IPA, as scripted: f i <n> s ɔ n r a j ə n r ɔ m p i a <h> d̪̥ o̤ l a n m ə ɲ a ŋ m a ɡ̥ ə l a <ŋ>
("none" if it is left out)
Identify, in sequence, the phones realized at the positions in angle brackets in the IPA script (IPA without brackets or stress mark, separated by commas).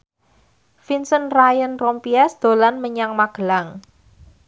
n, s, ŋ